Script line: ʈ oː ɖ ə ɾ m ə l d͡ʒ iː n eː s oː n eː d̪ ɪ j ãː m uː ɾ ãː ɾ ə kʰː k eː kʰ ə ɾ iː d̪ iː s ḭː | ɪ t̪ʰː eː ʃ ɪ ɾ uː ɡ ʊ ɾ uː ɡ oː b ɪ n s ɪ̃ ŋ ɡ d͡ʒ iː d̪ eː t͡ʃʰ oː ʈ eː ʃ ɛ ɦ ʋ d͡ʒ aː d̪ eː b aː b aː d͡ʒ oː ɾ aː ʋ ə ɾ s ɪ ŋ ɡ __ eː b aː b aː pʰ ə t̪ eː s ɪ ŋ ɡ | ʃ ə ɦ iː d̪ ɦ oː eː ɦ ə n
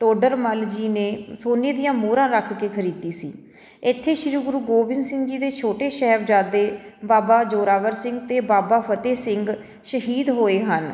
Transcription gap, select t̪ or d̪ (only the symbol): t̪